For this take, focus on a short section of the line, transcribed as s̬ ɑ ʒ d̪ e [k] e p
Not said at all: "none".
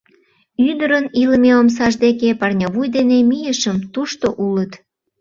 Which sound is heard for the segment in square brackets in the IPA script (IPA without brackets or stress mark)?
k